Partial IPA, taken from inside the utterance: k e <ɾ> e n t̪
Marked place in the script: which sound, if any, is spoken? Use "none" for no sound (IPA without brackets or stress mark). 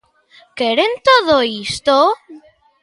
ɾ